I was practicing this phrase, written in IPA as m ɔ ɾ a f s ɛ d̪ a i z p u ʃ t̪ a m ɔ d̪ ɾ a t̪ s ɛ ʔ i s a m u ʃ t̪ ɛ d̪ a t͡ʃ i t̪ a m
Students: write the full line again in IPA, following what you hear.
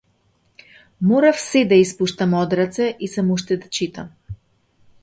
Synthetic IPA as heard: m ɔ ɾ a f s ɛ d̪ a i s p u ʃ t̪ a m ɔ d̪ ɾ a t̪ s ɛ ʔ i s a m u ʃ t̪ ɛ d̪ a t͡ʃ i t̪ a m